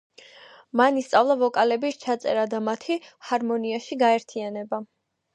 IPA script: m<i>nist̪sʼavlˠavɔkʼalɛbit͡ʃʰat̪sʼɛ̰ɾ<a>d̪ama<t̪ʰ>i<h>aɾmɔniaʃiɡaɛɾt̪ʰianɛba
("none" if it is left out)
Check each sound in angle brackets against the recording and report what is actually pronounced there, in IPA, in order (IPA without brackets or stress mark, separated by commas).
a, a, t̪ʰ, h